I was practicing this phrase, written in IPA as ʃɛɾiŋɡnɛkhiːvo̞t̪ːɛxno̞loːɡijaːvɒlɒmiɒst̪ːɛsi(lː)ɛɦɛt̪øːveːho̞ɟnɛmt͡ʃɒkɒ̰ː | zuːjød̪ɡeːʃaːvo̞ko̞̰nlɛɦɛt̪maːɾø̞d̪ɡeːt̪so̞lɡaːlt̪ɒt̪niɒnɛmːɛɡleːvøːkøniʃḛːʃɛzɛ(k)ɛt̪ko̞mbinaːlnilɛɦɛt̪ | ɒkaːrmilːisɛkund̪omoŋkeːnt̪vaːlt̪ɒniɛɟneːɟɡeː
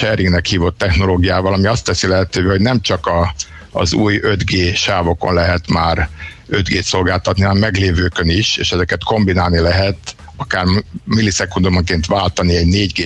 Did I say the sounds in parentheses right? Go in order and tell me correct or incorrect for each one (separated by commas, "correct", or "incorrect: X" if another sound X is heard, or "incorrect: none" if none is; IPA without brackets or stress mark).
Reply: incorrect: l, correct